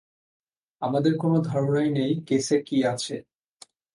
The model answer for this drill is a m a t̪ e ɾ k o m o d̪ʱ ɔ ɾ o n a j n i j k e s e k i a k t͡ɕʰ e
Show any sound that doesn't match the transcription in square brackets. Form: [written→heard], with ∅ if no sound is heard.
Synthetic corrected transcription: a m a [t̪→d̪] e ɾ k o [m→n] o d̪ʱ ɔ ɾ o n a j n [i→e] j k e s e k i a [k→∅] t͡ɕʰ e